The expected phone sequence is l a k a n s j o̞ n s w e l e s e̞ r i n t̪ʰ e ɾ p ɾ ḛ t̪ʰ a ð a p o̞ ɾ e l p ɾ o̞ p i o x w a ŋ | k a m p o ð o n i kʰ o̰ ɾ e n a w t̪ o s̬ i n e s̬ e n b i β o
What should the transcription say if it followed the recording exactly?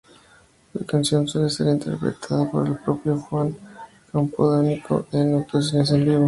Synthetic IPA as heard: l a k a n s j o̞ n s w e l e s e̞ ɾ i n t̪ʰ e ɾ p ɾ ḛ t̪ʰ a ð a p o̞ ɾ e l p ɾ o̞ p j o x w a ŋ | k a m p o ð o n i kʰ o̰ e n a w t̪ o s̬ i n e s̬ e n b i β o